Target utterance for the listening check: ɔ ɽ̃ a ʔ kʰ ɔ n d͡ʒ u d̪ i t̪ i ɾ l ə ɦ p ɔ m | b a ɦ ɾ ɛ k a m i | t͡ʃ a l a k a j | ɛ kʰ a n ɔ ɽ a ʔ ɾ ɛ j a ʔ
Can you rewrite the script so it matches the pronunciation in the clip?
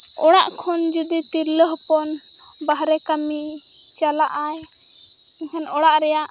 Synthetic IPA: ɔ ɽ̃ a ʔ kʰ ɔ n d͡ʒ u d̪ i t̪ i ɾ l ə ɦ p ɔ n | b a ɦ ɾ ɛ k a m i | t͡ʃ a l a ʔ a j | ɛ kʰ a n ɔ ɽ a ʔ ɾ ɛ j a ʔ